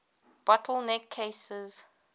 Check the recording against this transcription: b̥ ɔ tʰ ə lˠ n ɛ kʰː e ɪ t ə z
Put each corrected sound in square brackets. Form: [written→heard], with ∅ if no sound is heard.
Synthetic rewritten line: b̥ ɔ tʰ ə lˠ n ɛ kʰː e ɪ [t→s] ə z